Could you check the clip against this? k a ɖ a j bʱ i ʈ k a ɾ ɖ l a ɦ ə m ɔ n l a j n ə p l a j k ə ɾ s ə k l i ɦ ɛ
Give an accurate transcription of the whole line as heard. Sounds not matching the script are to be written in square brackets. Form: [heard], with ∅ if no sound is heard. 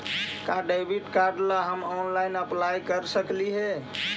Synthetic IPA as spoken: k a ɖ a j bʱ i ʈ k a ɾ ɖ l a ɦ ə m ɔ n l a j n ə p l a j k ə ɾ s ə k l i ɦ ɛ